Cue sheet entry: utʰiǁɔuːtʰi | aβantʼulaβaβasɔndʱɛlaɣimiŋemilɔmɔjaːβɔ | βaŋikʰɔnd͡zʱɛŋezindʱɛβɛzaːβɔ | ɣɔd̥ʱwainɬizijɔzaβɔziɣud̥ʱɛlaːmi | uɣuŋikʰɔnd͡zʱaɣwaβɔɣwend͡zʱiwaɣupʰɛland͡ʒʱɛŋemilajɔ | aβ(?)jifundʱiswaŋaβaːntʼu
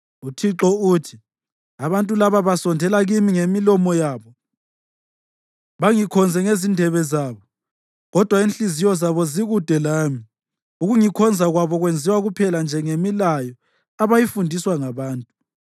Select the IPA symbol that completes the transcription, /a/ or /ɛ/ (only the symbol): a